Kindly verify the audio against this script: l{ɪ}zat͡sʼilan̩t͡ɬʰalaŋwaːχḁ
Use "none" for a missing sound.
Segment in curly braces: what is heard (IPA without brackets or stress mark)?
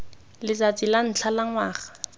ɪ